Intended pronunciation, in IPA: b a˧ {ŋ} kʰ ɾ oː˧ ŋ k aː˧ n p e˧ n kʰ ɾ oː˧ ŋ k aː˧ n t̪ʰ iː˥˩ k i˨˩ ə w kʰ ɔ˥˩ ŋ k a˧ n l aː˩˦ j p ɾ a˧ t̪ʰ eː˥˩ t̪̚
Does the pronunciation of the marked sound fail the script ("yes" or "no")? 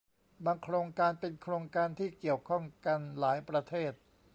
no